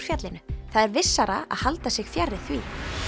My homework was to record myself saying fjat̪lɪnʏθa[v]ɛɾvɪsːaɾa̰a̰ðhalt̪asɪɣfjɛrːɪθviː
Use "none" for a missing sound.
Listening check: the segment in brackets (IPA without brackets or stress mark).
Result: ð